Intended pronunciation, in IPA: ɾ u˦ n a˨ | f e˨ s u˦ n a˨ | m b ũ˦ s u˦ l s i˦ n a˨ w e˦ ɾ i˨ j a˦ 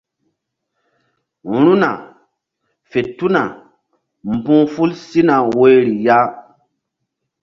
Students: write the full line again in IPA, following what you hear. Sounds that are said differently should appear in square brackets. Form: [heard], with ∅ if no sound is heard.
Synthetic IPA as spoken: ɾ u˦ n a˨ | f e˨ [t] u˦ n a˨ | m b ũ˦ [f] u˦ l s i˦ n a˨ w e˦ ɾ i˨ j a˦